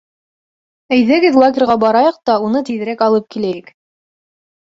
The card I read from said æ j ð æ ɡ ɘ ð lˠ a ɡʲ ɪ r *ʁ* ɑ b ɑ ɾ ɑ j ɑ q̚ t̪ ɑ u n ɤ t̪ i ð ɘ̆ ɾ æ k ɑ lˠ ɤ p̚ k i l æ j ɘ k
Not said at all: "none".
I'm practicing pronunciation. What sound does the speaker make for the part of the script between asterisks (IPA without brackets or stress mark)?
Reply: ʁ